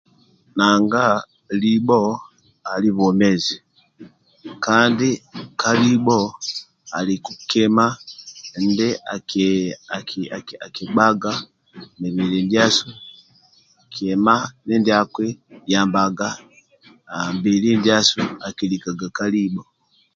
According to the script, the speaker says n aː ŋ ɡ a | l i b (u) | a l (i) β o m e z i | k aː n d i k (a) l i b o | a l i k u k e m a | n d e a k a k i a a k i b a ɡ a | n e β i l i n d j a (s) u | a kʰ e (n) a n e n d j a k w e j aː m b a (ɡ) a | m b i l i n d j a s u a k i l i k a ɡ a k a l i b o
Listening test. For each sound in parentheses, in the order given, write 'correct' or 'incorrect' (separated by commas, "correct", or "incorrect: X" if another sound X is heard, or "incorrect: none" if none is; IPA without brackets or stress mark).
incorrect: o, correct, correct, correct, incorrect: m, correct